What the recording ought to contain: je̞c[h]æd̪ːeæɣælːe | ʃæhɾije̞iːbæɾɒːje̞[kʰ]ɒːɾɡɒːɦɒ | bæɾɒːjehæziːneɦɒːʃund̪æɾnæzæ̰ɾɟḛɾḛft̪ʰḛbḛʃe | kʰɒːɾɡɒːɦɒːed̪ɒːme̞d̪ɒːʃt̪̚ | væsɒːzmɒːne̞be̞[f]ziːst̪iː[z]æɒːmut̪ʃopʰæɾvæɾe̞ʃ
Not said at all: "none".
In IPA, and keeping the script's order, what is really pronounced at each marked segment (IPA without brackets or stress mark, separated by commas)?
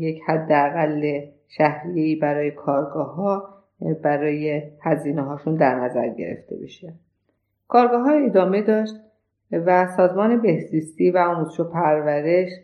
h, kʰ, h, v